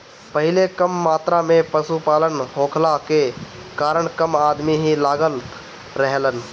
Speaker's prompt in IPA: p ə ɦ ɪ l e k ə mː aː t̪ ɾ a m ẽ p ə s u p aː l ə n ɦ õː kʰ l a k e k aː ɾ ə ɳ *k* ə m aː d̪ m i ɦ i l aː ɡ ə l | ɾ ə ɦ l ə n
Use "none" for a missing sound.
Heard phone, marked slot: k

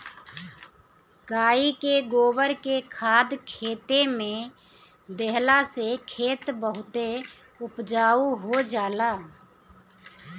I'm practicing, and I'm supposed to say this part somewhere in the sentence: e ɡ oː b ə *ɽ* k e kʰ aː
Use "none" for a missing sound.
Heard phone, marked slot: ɾ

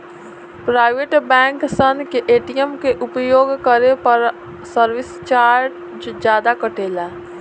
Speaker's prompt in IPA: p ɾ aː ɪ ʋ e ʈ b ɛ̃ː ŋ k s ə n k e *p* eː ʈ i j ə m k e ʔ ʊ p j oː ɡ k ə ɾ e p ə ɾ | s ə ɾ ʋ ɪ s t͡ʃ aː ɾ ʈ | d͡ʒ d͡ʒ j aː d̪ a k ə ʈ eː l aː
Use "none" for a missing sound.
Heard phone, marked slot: ʔ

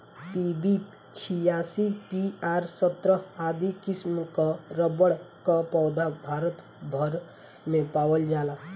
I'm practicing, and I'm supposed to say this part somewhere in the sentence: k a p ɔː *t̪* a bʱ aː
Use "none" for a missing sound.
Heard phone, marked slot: d̪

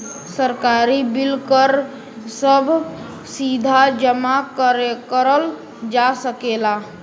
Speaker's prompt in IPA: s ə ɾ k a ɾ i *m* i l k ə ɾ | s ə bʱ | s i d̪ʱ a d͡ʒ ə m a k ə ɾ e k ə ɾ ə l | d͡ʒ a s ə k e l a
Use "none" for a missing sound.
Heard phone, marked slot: b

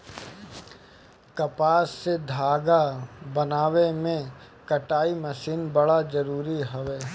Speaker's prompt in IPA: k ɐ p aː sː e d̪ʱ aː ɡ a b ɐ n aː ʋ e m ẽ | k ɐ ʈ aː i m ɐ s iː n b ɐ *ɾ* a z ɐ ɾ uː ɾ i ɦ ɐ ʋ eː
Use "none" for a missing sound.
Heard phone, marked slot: ɽ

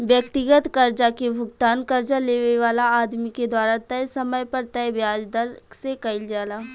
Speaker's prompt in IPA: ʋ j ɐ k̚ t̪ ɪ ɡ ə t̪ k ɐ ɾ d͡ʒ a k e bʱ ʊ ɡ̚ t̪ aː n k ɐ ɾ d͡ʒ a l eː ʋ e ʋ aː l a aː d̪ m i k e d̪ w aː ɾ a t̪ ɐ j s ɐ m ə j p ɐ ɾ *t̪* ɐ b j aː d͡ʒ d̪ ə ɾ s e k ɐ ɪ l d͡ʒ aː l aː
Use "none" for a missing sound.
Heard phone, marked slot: t̪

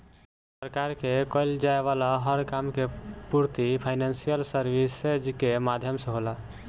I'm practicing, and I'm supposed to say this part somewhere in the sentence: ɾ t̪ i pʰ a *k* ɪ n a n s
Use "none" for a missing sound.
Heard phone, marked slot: none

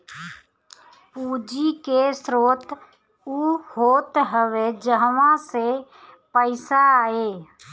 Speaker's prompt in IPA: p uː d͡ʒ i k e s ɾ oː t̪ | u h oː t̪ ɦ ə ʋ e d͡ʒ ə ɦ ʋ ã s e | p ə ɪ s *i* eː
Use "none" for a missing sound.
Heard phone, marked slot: a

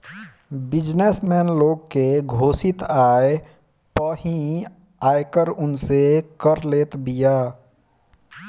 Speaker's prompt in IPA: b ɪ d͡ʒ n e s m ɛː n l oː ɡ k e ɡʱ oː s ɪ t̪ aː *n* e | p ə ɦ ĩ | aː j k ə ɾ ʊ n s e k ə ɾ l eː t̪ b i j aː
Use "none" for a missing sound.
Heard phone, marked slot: none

